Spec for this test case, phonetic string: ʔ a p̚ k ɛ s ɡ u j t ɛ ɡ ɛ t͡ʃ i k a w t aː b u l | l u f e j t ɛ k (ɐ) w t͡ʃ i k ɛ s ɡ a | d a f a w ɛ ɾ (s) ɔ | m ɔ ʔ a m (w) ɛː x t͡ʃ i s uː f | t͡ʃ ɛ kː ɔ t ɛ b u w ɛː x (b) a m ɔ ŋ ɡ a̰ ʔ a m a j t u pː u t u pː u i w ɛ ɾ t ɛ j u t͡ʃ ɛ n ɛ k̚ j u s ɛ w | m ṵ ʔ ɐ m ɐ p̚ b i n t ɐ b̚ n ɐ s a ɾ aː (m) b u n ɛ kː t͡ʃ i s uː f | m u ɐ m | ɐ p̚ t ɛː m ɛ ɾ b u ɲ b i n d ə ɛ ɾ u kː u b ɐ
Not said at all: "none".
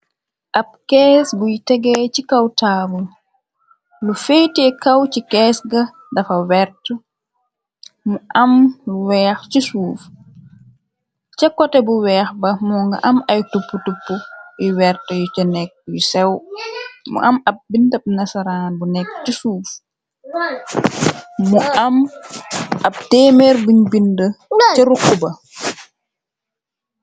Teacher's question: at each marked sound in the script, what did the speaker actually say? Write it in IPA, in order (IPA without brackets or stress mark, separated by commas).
a, t, w, b, n